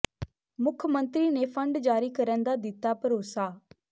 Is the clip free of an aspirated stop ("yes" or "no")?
no